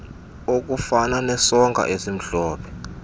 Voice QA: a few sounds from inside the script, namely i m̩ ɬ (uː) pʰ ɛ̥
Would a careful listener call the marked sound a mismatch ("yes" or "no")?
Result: yes